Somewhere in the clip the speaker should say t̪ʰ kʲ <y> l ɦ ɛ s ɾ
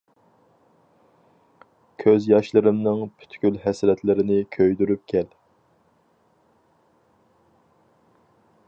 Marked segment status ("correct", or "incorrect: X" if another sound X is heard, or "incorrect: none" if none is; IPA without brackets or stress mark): correct